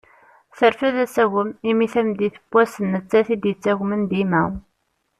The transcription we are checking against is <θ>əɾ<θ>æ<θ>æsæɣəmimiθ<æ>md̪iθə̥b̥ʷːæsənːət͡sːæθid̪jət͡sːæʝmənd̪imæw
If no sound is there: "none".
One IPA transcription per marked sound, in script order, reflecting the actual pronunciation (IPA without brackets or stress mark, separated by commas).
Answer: θ, f, ð, æ